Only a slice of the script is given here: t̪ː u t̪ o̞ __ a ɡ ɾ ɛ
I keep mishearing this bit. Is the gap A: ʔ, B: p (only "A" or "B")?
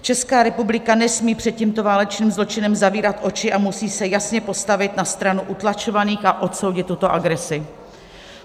A